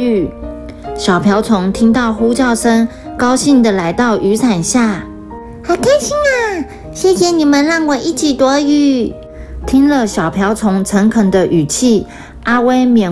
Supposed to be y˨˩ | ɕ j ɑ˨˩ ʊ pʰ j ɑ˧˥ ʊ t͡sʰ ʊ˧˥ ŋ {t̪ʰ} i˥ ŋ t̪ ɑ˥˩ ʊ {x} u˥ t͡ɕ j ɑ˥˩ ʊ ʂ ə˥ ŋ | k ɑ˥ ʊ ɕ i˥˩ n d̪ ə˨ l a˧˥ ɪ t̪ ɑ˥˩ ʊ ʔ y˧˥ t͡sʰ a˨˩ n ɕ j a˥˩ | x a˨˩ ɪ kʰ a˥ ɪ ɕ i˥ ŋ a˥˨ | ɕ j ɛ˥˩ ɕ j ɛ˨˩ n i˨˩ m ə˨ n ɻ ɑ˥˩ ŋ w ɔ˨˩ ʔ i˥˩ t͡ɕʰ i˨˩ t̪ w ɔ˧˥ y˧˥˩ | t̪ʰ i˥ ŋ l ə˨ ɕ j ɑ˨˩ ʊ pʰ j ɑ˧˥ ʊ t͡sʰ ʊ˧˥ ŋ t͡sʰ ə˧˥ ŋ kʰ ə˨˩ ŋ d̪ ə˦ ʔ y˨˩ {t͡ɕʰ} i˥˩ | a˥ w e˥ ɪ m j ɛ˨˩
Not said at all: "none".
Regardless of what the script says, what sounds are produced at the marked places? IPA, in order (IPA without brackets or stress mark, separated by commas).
t̪ʰ, x, t͡ɕʰ